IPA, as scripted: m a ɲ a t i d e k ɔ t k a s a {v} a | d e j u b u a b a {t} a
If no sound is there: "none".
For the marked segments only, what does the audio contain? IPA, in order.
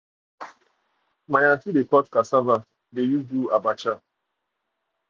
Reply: v, t͡ʃ

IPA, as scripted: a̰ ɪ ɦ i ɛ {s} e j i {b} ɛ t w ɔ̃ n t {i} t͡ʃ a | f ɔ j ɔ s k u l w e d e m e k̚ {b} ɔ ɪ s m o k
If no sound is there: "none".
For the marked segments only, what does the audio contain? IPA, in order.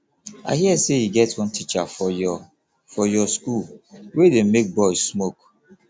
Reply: s, ɡ, i, b

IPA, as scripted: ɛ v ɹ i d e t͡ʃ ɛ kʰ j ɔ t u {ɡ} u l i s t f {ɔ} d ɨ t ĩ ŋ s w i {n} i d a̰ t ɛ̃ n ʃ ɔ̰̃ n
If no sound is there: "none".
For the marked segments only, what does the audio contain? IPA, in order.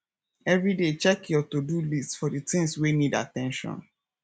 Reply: d, ɔ, n

